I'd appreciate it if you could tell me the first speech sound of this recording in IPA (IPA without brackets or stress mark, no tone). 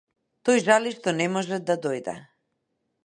t̪